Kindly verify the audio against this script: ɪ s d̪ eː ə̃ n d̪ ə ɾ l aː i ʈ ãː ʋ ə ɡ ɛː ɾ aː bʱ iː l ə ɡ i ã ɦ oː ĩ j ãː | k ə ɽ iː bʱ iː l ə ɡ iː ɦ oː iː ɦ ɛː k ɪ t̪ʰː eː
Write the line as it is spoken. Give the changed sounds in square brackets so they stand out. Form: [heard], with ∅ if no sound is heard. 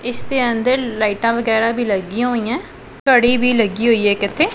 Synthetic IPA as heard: ɪ s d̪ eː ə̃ n d̪ ə ɾ l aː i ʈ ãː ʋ ə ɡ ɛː ɾ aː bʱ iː l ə ɡ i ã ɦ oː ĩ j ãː | k ə ɽ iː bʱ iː l ə ɡ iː ɦ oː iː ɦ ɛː k ɪ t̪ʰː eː